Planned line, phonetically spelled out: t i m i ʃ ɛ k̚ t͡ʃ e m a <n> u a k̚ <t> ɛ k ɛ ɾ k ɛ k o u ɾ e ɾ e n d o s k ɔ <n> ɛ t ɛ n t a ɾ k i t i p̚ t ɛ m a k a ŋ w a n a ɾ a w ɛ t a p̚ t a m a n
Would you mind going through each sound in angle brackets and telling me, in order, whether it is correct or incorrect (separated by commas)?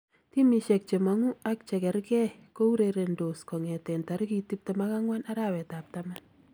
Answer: incorrect, incorrect, incorrect